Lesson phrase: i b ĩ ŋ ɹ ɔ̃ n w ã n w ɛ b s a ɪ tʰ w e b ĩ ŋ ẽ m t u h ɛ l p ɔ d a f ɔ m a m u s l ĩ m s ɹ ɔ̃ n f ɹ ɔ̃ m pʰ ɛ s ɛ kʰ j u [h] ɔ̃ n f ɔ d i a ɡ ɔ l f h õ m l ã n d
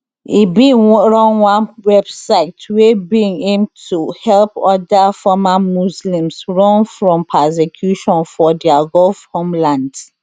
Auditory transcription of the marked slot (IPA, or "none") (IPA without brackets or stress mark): ʃ